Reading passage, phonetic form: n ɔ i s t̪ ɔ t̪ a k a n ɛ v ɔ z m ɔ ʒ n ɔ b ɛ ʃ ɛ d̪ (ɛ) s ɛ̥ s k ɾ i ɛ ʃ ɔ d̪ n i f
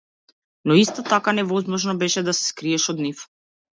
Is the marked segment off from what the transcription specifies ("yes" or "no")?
yes